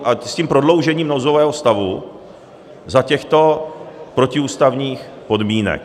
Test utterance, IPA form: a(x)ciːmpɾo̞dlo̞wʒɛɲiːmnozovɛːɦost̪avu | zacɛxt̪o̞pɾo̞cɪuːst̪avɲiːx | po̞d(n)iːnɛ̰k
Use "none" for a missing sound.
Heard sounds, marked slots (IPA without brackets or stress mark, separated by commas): s, m